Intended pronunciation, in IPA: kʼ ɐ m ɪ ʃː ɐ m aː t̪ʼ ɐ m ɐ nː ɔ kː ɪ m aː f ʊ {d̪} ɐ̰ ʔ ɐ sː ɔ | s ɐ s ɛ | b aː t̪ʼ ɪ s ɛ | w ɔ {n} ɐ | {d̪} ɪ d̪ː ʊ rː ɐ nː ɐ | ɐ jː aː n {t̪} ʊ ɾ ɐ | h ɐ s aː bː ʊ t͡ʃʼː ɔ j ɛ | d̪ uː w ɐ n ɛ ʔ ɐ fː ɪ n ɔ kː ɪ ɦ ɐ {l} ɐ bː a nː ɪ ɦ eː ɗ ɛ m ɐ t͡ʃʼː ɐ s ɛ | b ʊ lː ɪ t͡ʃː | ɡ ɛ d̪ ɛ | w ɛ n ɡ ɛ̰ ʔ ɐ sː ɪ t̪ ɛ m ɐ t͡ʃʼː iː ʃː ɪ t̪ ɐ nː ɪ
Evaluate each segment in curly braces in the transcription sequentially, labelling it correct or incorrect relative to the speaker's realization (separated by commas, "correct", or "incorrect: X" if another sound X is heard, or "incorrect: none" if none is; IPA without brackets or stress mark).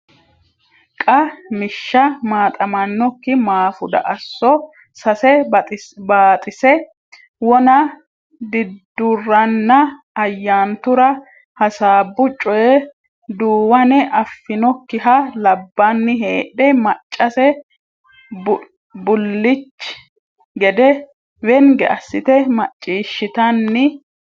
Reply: correct, correct, correct, correct, correct